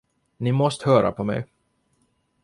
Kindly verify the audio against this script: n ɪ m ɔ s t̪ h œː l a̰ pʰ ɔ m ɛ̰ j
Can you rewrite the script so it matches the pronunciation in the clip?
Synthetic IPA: n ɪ m ɔ s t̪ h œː ɾ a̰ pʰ ɔ m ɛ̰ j